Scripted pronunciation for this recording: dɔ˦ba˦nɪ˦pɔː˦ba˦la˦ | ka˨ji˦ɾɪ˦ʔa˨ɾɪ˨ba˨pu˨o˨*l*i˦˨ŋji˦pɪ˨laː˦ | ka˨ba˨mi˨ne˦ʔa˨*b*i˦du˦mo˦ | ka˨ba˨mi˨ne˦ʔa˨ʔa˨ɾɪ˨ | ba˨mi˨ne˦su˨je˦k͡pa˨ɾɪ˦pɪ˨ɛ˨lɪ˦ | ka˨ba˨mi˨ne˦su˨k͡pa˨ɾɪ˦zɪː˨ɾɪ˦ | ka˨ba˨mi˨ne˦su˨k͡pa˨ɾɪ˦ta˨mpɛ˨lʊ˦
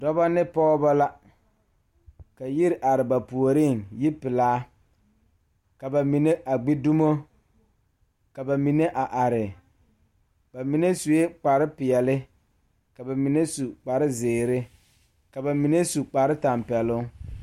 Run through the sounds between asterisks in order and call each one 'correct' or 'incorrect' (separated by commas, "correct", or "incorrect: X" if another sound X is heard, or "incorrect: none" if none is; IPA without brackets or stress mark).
incorrect: ɾ, incorrect: ɡ͡b